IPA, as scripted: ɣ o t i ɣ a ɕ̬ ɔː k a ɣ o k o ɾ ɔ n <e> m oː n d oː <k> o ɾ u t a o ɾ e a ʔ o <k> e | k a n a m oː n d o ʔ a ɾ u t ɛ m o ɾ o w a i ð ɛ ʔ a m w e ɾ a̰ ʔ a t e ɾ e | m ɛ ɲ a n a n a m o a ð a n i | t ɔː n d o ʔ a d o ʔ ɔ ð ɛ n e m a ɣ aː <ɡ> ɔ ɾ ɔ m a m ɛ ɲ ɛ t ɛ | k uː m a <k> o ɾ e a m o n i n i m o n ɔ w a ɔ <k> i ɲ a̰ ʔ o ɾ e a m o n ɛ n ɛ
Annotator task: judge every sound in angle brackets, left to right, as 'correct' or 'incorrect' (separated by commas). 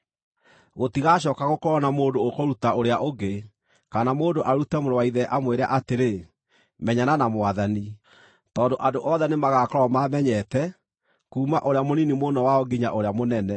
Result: incorrect, correct, incorrect, incorrect, incorrect, incorrect